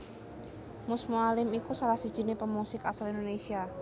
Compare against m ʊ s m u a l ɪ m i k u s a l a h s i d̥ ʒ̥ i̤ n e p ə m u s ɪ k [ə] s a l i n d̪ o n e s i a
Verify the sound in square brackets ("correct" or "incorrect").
incorrect